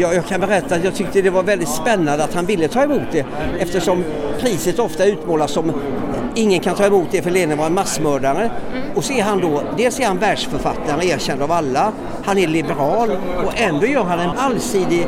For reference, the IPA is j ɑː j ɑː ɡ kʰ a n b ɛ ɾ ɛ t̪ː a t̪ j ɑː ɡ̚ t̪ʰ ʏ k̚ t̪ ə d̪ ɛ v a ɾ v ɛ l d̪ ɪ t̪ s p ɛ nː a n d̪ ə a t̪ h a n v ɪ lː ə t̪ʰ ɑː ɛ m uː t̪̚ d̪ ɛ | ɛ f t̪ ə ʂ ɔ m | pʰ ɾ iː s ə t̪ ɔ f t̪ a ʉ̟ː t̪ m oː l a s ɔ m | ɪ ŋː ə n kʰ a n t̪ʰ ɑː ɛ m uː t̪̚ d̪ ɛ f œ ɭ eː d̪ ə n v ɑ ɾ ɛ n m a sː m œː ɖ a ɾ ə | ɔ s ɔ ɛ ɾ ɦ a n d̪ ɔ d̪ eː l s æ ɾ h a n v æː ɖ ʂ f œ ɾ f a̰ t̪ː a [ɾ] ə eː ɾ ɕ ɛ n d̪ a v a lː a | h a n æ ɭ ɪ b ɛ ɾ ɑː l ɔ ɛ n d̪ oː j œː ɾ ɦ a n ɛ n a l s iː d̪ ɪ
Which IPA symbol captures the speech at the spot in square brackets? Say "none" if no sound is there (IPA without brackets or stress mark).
ɾ